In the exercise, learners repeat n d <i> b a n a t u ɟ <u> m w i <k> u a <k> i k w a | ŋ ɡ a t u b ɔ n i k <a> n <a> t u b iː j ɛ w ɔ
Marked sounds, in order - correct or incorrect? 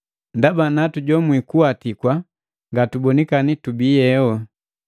incorrect: a, incorrect: ɔ, correct, incorrect: t, correct, incorrect: i

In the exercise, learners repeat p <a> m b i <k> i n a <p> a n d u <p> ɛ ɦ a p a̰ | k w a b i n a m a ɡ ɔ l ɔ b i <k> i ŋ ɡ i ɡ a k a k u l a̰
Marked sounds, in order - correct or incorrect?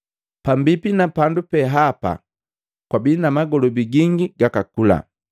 correct, incorrect: p, correct, correct, incorrect: ɡ

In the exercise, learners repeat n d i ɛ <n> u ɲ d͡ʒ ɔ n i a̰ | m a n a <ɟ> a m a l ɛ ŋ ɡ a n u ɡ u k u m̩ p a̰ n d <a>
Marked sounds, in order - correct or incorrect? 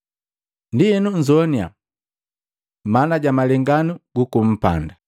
correct, correct, correct

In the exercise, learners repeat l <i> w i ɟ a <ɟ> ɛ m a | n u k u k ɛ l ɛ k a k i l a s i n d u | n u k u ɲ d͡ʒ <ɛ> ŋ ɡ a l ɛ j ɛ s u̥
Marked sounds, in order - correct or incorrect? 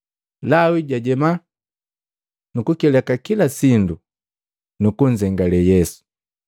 incorrect: a, correct, correct

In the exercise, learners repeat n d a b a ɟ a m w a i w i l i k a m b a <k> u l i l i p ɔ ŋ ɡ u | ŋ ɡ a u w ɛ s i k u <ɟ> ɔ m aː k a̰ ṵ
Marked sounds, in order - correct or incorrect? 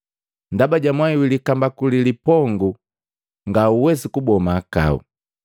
correct, incorrect: b

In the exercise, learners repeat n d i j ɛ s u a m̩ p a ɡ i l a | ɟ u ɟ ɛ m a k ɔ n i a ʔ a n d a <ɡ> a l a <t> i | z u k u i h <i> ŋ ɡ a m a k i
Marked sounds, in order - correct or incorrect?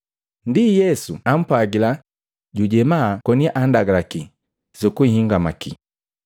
correct, incorrect: k, correct

